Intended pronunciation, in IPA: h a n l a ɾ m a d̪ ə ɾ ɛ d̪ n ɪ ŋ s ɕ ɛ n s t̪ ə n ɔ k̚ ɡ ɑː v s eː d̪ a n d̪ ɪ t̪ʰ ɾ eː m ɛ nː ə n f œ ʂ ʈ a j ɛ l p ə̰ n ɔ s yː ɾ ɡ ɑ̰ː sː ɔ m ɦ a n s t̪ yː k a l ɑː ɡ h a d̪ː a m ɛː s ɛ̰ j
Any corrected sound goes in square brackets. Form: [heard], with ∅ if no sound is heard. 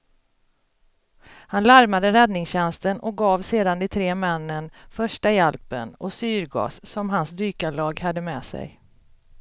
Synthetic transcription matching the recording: h a n l a ɾ m a d̪ ə ɾ ɛ d̪ n ɪ ŋ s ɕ ɛ n s t̪ ə n ɔ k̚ ɡ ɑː v s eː d̪ a n d̪ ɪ t̪ʰ ɾ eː m ɛ nː ə n f œ ʂ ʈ a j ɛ l p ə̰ n ɔ s yː ɾ ɡ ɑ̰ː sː ɔ m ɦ a n s [d̪] yː k a l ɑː ɡ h a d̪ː [ə] m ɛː s ɛ̰ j